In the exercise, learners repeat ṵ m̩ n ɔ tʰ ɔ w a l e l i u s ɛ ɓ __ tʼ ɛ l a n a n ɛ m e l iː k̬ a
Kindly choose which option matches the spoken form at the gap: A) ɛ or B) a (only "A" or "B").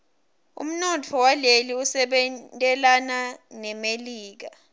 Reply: A